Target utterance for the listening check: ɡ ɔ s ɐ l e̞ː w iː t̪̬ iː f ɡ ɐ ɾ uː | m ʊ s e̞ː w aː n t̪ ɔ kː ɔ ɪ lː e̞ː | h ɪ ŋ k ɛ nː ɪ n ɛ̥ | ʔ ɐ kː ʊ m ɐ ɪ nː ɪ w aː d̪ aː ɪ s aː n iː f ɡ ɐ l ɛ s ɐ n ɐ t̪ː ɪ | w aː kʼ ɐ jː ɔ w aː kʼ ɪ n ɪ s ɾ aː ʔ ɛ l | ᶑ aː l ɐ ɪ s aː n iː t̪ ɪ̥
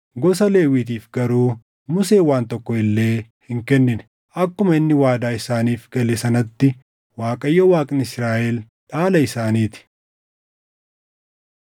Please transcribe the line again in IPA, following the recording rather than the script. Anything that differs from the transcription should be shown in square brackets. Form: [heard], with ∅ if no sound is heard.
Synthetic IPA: ɡ ɔ s ɐ l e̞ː w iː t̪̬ iː f ɡ ɐ ɾ uː | m ʊ s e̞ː w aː n t̪ ɔ kː ɔ ɪ lː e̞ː | h ɪ ŋ k ɛ nː ɪ n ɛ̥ | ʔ ɐ kː ʊ m ɐ ɪ nː ɪ w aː d̪ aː ɪ s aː n iː f ɡ ɐ l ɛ s ɐ n ɐ t̪ː ɪ | w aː kʼ ɐ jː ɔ w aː kʼ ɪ n ɪ s ɾ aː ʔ ɛ l | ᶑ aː l ɐ ɪ s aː n iː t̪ ɪ̥

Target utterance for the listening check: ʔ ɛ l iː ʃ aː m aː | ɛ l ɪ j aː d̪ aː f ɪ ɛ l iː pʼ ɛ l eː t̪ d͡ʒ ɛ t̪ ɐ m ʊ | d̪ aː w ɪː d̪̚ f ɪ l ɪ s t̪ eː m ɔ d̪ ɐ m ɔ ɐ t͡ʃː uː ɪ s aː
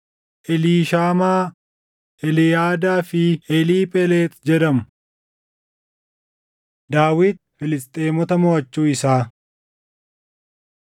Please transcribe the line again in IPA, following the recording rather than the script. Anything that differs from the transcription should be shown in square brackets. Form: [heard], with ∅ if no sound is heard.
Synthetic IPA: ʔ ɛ l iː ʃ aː m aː | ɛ l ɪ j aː d̪ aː f ɪ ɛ l iː pʼ ɛ l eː t̪ d͡ʒ ɛ [d̪] ɐ m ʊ | d̪ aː w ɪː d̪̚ f ɪ l ɪ s [t̪ʼ] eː m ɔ [t̪] ɐ m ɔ ɐ t͡ʃː uː ɪ s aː

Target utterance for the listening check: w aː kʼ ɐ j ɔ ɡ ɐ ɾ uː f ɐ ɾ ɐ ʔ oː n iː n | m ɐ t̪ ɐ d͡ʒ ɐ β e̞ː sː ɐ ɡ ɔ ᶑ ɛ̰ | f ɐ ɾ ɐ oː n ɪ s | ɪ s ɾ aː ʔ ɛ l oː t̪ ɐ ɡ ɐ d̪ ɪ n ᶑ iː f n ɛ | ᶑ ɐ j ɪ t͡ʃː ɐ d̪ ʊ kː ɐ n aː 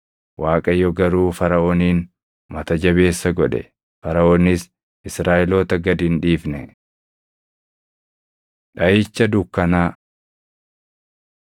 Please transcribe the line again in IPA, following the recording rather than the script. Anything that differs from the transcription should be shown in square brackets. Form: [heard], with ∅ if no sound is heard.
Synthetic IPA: w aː kʼ ɐ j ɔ ɡ ɐ ɾ uː f ɐ ɾ ɐ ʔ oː n iː n | m ɐ t̪ ɐ d͡ʒ ɐ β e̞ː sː ɐ ɡ ɔ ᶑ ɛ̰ | f ɐ ɾ ɐ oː n ɪ s | ɪ s ɾ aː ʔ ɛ l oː t̪ ɐ ɡ ɐ d̪ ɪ n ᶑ iː f n ɛ | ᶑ ɐ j ɪ t͡ʃː ɐ d̪ ʊ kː ɐ n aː

